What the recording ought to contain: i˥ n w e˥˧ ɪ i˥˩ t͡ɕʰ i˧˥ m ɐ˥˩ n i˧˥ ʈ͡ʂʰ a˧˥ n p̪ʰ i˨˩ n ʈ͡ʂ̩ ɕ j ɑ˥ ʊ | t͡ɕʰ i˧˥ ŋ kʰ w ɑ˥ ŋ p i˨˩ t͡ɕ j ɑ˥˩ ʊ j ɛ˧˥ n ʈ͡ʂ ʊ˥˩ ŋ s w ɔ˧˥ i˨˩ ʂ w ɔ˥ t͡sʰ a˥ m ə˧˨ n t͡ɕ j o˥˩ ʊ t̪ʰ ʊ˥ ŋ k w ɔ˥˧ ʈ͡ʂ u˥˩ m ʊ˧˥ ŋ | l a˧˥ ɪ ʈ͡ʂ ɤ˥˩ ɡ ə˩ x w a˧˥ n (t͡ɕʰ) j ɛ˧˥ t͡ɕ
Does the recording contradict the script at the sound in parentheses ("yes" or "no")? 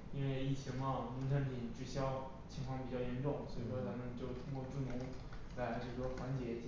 yes